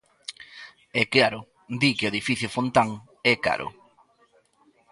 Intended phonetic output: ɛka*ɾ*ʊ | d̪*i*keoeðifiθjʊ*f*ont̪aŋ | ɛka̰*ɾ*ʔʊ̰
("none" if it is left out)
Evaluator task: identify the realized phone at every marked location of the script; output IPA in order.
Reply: ɾ, i, f, ɾ

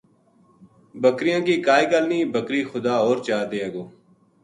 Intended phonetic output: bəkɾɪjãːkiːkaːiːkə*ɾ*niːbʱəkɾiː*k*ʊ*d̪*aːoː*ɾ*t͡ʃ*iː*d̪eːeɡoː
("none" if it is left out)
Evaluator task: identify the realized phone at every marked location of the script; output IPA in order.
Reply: l, x, d̪, ɾ, aː

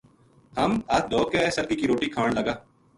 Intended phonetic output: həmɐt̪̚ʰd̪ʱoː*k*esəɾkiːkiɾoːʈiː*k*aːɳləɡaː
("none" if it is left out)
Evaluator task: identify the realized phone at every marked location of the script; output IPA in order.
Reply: k, kʰ

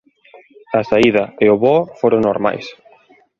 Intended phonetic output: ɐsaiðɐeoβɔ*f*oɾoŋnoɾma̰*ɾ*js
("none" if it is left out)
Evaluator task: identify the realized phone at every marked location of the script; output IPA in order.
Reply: f, none

